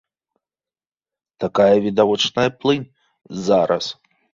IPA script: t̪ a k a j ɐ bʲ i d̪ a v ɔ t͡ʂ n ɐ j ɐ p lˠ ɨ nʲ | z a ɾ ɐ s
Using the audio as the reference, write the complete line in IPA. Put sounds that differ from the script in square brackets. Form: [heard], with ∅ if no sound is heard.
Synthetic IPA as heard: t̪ a k a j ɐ [vʲ] i d̪ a v ɔ t͡ʂ n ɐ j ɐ p lˠ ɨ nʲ | z a ɾ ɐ s